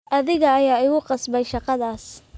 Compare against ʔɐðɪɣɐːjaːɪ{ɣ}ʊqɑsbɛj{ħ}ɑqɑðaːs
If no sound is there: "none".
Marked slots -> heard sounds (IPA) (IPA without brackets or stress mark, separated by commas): ɣ, ʃ